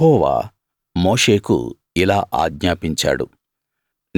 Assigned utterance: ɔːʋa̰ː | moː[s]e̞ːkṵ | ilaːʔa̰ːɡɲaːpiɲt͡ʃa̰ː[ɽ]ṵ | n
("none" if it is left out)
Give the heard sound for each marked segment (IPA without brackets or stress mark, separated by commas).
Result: ʂ, ɽ